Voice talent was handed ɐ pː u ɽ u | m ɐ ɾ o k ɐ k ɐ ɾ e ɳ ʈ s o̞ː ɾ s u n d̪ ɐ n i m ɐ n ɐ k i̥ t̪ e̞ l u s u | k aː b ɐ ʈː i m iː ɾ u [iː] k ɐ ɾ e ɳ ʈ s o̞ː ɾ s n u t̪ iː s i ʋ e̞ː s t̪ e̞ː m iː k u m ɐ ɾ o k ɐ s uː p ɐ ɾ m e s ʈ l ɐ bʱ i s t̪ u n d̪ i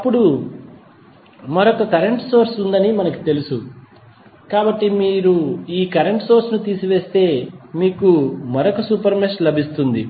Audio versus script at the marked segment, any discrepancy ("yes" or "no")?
no